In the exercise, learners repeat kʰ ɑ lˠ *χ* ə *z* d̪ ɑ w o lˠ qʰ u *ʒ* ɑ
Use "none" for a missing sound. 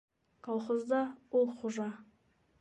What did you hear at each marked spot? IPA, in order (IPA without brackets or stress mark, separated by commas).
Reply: χ, z, ʒ